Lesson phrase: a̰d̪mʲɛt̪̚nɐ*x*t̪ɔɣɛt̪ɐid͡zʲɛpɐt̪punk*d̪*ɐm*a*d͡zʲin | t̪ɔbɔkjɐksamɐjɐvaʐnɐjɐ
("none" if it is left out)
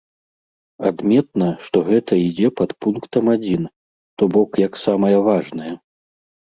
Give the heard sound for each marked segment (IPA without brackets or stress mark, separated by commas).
ʂ, t̪, a